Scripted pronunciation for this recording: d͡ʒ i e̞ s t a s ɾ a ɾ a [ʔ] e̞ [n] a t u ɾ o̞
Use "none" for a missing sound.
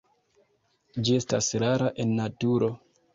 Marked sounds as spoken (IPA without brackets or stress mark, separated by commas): ʔ, nː